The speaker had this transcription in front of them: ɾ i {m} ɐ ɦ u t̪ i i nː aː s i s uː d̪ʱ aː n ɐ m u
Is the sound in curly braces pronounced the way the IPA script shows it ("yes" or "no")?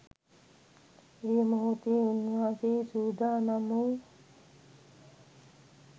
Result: yes